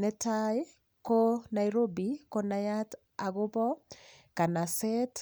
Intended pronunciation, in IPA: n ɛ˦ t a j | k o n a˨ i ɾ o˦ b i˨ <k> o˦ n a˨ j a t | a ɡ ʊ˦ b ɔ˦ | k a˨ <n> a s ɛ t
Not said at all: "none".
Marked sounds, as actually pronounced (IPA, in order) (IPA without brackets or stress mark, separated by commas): k, n